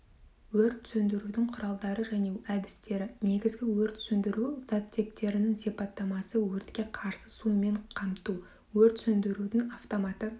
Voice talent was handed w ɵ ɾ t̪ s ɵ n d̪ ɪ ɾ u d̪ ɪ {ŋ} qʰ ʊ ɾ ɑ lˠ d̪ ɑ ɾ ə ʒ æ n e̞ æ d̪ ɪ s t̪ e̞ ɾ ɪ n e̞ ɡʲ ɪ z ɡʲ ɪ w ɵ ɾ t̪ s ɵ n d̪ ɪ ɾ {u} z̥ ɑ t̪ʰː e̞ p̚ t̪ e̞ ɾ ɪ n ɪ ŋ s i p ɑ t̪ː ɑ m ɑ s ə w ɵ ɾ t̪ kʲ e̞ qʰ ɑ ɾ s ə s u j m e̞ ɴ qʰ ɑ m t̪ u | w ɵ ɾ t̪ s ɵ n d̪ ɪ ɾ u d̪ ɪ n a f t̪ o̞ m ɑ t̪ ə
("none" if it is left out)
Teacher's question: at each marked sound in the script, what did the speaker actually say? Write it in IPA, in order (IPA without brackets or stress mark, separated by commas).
ŋ, u